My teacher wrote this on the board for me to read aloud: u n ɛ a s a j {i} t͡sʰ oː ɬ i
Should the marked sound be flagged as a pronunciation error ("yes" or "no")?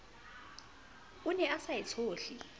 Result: no